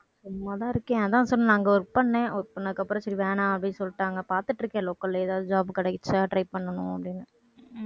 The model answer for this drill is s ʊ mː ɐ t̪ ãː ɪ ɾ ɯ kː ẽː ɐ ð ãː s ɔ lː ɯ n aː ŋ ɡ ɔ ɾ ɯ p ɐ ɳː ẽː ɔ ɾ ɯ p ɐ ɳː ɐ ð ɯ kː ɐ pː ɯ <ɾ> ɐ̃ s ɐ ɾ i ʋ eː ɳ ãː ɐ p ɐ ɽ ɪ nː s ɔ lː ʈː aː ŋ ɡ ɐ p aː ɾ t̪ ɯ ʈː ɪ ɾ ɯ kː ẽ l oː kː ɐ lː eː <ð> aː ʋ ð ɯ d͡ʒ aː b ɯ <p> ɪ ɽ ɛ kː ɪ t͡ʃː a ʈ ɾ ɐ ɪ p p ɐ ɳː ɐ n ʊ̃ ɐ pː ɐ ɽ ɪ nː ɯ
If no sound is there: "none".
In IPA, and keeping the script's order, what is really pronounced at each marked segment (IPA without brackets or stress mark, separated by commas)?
ɾ, ð, k